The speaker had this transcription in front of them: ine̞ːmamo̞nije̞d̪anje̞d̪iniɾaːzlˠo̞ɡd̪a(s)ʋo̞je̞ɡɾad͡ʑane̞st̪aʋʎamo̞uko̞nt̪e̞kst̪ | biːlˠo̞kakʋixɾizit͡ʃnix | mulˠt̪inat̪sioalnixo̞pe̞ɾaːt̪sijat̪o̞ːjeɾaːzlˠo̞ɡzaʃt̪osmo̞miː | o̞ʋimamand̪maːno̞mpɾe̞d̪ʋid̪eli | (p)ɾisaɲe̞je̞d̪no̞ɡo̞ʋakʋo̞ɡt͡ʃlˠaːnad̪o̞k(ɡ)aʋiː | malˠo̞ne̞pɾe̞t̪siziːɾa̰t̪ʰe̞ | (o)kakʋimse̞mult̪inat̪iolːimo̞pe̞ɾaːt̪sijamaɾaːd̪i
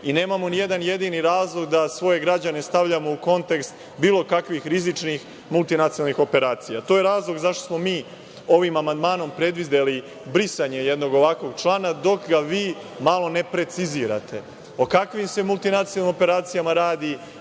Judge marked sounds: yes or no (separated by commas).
yes, no, yes, yes